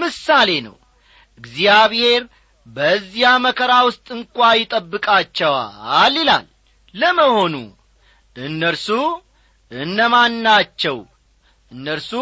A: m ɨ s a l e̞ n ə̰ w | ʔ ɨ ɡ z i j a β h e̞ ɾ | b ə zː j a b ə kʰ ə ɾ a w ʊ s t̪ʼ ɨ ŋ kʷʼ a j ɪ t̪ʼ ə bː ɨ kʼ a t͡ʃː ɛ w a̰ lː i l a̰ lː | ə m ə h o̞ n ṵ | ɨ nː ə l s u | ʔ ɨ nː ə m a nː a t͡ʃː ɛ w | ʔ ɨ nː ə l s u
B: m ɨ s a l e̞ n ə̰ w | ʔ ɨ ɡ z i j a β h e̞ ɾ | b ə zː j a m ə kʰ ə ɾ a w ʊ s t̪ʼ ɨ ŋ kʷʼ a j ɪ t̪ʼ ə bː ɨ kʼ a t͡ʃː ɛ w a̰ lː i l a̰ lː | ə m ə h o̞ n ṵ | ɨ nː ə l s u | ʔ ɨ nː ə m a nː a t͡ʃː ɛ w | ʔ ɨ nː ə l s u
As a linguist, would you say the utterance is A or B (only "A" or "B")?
B